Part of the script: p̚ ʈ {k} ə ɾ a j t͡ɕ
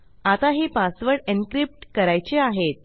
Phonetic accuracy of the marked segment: correct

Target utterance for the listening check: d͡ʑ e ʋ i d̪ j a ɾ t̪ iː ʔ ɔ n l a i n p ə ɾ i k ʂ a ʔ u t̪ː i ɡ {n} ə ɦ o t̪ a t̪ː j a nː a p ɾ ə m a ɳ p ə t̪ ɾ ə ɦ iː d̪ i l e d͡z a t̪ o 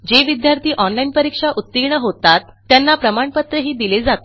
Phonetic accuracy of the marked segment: incorrect: ɳ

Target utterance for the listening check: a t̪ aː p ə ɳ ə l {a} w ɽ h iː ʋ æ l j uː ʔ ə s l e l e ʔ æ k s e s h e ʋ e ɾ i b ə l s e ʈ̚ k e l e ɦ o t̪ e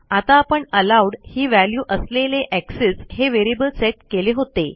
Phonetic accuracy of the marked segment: correct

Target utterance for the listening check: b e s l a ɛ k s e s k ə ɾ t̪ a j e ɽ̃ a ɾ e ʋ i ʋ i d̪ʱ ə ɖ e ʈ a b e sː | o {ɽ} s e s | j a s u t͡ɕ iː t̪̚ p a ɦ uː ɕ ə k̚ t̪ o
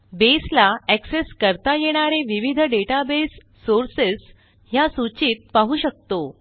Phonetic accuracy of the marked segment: incorrect: ɾ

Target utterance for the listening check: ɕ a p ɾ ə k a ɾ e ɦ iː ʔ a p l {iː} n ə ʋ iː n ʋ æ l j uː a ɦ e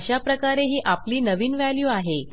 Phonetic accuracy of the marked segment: correct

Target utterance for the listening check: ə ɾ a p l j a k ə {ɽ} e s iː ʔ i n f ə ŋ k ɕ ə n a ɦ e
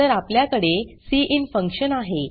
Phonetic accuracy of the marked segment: correct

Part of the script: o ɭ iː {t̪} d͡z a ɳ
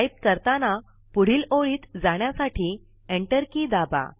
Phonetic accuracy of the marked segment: correct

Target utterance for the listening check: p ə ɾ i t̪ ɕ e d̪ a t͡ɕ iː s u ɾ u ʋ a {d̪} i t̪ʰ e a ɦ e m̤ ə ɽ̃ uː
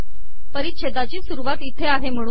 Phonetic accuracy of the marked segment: incorrect: t̪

